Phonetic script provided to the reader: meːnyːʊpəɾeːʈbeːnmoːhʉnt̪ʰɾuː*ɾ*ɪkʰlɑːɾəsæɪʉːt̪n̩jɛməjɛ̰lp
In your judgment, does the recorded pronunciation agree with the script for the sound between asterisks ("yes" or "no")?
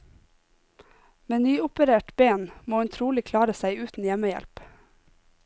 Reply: no